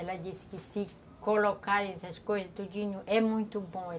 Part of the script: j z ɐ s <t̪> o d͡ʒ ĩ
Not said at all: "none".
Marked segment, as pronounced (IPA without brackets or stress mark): t̪